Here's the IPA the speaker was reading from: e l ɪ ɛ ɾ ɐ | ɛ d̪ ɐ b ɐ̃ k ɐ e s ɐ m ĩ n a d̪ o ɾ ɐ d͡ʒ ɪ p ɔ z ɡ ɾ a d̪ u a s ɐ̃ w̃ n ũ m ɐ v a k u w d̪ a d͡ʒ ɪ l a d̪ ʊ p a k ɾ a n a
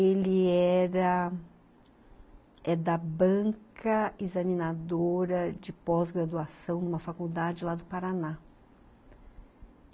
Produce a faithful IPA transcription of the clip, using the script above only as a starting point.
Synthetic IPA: e l ɪ ɛ ɾ ɐ | ɛ d̪ ɐ b ɐ̃ k ɐ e z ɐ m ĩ n a d̪ o ɾ ɐ d͡ʒ ɪ p ɔ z ɡ ɾ a d̪ u a s ɐ̃ w̃ n ũ m ɐ f a k u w d̪ a d͡ʒ ɪ l a d̪ ʊ p a ɾ a n a